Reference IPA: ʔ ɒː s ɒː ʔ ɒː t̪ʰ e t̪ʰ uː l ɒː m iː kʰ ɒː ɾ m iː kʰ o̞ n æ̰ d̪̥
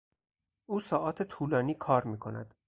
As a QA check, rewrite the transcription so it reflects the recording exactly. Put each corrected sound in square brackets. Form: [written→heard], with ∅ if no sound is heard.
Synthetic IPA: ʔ [ɒː→uː] s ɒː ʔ ɒː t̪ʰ e t̪ʰ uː l ɒː [m→n] iː kʰ ɒː ɾ m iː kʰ o̞ n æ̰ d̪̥